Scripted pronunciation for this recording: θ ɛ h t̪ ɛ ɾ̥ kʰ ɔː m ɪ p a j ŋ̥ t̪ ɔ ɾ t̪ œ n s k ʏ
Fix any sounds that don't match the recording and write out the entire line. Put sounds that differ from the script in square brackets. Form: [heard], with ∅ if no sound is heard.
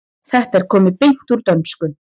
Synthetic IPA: θ ɛ h t̪ ɛ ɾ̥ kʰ ɔː m ɪ p [e] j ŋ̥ t̪ [u] ɾ t̪ œ n s k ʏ